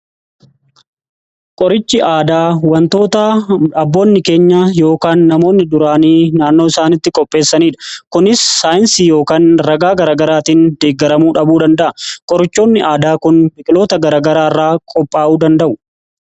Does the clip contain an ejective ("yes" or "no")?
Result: yes